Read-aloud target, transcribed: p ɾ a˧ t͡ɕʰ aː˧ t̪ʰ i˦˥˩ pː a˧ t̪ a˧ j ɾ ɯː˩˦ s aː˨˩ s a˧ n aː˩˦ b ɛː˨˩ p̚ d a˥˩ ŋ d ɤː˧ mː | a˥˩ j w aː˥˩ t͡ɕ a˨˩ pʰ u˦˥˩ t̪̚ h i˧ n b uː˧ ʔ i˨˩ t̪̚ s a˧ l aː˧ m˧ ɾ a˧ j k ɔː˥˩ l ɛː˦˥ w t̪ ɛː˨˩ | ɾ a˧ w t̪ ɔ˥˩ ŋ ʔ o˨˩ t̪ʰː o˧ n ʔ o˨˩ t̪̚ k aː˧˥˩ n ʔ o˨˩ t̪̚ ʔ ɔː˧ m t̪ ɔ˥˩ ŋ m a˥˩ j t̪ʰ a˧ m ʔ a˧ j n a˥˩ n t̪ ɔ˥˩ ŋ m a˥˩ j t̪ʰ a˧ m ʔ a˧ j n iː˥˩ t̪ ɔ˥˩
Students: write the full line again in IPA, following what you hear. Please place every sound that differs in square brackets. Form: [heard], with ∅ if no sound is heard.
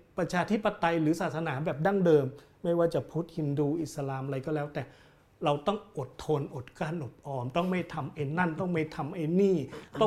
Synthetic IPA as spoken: p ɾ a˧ t͡ɕʰ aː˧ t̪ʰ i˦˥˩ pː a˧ t̪ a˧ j ɾ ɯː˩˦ s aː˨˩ s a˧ n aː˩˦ b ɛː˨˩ p̚ d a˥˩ ŋ d ɤː˧ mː | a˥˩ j w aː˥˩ t͡ɕ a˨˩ pʰ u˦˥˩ t̪̚ h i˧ n [d] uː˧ ʔ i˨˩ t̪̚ s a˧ l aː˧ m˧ ɾ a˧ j k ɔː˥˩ l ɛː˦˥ w t̪ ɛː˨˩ | ɾ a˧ w t̪ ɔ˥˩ ŋ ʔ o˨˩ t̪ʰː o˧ n ʔ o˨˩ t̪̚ k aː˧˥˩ n ʔ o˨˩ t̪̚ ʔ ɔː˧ m t̪ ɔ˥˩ ŋ m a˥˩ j t̪ʰ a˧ m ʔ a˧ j n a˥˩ n t̪ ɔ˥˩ ŋ m a˥˩ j t̪ʰ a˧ m ʔ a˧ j n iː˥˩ t̪ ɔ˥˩